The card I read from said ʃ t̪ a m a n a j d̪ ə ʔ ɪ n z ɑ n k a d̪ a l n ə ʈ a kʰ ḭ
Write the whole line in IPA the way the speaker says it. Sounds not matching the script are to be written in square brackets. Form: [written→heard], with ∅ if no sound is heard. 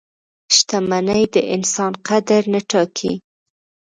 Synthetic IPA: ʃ t̪ a m a n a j d̪ ə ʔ ɪ n [z→s] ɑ n [k→q] a d̪ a [l→ɾ] n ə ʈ [a→ɑ] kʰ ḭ